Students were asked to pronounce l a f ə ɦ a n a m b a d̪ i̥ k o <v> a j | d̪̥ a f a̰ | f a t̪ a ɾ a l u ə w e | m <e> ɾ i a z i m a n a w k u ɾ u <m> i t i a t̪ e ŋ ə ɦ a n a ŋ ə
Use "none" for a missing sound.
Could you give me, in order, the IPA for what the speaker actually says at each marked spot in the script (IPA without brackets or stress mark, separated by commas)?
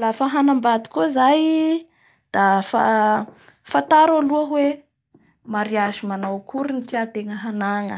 z, a, n